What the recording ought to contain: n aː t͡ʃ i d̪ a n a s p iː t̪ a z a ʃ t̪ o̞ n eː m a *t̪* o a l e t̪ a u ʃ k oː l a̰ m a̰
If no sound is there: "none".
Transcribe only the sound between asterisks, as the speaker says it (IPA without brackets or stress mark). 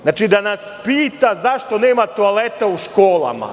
t̪